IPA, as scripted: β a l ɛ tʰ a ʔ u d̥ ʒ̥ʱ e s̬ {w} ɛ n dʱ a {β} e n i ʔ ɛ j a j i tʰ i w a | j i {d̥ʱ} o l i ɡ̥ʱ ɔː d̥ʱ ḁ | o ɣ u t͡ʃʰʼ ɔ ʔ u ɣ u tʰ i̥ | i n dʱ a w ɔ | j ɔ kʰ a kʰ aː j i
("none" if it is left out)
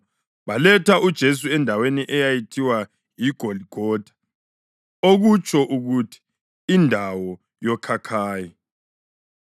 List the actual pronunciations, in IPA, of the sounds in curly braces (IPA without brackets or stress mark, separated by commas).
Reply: u, w, ɡ̥ʱ